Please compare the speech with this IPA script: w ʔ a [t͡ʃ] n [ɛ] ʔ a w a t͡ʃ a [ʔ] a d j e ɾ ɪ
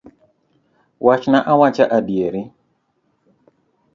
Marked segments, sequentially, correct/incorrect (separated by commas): correct, incorrect, correct